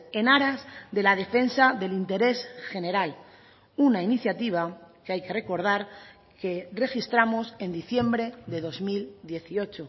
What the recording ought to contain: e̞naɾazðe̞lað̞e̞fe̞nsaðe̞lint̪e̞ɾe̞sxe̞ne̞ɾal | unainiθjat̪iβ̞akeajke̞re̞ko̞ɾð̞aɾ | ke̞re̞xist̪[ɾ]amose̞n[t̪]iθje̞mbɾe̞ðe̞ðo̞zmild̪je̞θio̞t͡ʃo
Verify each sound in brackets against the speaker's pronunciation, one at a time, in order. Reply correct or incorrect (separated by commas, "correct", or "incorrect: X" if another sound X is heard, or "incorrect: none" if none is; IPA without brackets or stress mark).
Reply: correct, incorrect: d̪